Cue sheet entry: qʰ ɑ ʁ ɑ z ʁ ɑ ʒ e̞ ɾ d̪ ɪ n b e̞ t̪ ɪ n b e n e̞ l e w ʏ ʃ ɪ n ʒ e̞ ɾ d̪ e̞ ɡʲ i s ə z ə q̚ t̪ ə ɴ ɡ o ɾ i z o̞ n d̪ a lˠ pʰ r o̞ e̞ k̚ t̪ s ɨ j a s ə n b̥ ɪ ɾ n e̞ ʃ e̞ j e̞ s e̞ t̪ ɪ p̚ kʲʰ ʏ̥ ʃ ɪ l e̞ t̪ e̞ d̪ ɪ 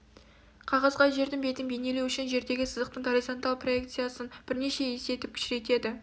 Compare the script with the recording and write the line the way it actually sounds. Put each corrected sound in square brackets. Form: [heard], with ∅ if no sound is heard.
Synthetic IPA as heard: qʰ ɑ ʁ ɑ z ʁ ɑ ʒ e̞ ɾ d̪ ɪ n b e̞ t̪ ɪ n b e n e̞ l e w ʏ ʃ ɪ n ʒ e̞ ɾ d̪ e̞ ɡʲ [ɪ] s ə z ə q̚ t̪ ə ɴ ɡ o ɾ i z o̞ n [t̪] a lˠ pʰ r o̞ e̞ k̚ t̪ s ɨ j a s ə n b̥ ɪ ɾ n e̞ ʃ e̞ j e̞ s e̞ t̪ ɪ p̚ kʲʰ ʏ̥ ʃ ɪ [ɾ] e̞ t̪ e̞ d̪ ɪ